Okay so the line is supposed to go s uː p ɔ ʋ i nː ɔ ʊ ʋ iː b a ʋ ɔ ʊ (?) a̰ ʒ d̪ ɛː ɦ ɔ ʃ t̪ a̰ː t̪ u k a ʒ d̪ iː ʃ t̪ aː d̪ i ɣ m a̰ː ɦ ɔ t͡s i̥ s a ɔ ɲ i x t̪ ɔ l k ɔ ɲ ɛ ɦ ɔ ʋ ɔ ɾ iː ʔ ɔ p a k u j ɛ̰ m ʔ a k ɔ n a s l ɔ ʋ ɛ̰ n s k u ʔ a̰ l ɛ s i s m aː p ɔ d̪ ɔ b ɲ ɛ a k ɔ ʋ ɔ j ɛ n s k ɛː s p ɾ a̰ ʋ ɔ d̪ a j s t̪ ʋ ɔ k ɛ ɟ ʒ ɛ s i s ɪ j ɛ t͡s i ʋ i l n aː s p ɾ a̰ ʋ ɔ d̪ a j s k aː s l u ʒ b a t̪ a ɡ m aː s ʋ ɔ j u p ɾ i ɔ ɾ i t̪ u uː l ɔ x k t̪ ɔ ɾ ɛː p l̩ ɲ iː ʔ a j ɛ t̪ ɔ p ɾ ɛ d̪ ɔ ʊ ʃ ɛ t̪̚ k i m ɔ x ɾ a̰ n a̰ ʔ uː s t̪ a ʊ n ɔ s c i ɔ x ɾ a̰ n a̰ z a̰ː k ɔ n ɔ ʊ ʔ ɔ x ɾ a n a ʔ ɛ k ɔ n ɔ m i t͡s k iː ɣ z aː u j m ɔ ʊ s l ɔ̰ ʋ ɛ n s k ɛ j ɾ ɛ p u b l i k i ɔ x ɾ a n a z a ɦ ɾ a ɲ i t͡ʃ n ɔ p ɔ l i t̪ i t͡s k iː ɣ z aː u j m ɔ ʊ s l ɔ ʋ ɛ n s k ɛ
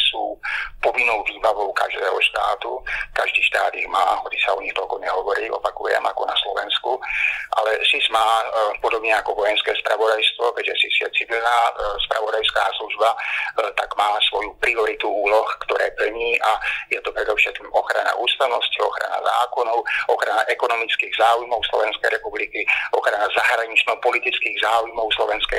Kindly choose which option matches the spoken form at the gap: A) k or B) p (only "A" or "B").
A